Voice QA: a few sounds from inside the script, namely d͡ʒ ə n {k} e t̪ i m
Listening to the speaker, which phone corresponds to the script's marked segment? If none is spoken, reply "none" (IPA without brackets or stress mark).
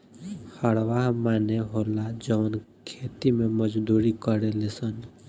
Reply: kʰ